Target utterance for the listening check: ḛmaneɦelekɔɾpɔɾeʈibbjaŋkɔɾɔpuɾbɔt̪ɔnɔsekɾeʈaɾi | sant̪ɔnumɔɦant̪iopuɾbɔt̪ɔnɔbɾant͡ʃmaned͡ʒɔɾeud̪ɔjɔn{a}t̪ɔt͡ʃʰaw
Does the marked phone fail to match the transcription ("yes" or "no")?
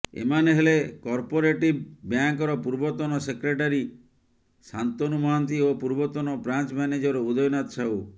no